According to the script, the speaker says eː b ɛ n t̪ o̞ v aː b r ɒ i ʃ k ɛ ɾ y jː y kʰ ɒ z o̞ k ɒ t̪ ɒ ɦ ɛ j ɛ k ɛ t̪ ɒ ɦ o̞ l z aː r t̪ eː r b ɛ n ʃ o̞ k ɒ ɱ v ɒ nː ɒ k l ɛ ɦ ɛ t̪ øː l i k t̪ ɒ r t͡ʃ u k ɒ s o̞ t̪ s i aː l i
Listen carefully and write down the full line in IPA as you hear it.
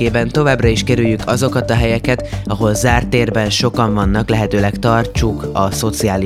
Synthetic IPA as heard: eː b ɛ n t̪ o̞ v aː b r ɒ i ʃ k ɛ ɾ y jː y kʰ ɒ z o̞ k ɒ t̪ ɒ ɦ ɛ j ɛ k ɛ t̪ ɒ ɦ o̞ l z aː r t̪ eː r b ɛ n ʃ o̞ k ɒ ɱ v ɒ nː ɒ k l ɛ ɦ ɛ t̪ øː l ɛ k t̪ ɒ r t͡ʃ u k ɒ s o̞ t̪ s i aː l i